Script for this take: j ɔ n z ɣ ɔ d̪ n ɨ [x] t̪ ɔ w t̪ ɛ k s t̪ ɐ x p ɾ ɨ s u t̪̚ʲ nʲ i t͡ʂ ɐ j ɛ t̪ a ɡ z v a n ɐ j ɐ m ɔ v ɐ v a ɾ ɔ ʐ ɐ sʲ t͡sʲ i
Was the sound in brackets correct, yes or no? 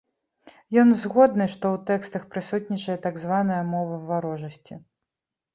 no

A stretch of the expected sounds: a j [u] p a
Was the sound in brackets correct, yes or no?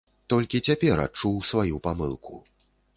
yes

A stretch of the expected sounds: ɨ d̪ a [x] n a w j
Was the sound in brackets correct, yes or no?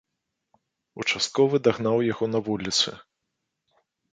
no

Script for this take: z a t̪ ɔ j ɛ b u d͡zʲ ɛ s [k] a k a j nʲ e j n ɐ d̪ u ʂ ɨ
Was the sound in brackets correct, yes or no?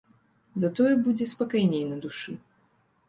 no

